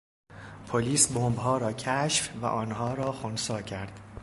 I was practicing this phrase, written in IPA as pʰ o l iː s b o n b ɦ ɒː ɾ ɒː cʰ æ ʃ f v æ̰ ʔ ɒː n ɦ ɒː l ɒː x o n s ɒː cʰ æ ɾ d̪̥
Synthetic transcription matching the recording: pʰ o l iː s b o m b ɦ ɒː ɾ ɒː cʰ æ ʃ f v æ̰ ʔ ɒː n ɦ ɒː ɾ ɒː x o n s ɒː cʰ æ ɾ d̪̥